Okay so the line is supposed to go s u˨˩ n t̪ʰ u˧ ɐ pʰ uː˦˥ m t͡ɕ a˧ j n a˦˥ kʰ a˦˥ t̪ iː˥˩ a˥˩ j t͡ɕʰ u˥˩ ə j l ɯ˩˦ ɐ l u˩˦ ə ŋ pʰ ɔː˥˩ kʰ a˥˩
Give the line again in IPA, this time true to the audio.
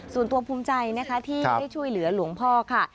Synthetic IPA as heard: s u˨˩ n t̪ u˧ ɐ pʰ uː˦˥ m t͡ɕ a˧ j n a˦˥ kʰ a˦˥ t̪ʰ iː˥˩ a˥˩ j t͡ɕʰ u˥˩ ə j l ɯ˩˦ ɐ l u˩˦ ə ŋ pʰ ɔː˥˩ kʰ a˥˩